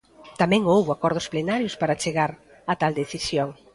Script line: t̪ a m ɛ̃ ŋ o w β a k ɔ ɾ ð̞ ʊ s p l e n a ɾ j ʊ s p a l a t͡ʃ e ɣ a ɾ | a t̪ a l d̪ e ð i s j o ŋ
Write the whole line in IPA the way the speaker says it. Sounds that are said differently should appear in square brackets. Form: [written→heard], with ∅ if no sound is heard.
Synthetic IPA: t̪ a m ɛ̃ ŋ o w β a k ɔ ɾ ð̞ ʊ s p l e n a ɾ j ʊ s p a [l→ɾ] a t͡ʃ e ɣ a ɾ | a t̪ a l d̪ e [ð→θ] i s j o ŋ